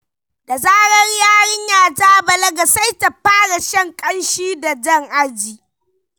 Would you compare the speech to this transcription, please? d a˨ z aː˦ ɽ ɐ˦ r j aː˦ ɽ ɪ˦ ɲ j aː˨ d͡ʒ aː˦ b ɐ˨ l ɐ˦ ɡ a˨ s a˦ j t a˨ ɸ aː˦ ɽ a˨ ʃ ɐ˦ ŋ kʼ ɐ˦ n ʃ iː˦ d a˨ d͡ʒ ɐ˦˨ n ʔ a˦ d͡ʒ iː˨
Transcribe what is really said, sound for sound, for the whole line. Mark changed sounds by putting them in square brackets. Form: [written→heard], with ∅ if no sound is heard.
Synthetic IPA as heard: d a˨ z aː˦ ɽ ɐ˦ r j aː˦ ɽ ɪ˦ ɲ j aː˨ d͡ʒ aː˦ b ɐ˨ l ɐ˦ ɡ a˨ s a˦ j t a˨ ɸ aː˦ ɽ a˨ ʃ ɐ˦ ŋ kʼ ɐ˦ n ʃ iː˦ d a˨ d͡ʒ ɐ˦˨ [n→ŋ] ʔ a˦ d͡ʒ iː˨